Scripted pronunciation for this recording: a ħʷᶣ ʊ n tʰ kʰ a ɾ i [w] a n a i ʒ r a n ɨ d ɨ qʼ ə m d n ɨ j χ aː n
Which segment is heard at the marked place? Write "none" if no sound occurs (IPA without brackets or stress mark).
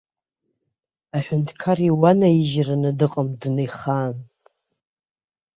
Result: w